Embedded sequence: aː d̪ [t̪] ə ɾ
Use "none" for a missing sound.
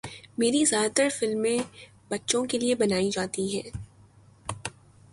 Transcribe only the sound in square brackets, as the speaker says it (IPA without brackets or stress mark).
t̪